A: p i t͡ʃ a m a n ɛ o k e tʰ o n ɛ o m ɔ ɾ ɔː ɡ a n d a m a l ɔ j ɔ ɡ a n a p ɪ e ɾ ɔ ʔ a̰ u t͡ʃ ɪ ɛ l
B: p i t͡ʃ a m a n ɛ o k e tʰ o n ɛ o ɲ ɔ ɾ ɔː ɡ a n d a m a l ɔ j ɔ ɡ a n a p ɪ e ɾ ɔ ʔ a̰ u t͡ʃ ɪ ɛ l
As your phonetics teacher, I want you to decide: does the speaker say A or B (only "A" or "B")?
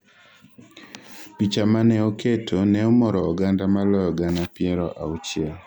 A